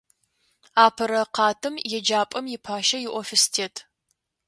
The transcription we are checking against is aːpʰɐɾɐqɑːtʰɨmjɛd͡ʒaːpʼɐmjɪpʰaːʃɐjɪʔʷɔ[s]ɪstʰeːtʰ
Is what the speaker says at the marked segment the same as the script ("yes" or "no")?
no